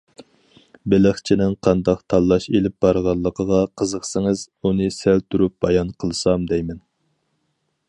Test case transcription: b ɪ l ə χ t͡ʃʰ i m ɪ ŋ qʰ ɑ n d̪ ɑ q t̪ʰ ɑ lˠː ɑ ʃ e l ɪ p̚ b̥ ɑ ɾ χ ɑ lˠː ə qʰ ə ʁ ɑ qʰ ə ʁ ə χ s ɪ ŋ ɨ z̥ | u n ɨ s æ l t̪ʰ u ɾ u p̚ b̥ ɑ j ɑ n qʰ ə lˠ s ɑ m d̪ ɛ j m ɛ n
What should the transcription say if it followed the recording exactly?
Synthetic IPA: b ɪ l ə χ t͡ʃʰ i n ɪ ŋ qʰ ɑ n d̪ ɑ q t̪ʰ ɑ lˠː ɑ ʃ e l ɪ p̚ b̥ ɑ ɾ ʁ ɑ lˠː ə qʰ ə ʁ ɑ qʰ ə z ə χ s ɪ ŋ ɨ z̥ | u n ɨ s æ l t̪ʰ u ɾ u p̚ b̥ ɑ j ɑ n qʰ ə lˠ s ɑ m d̪ ɛ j m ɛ n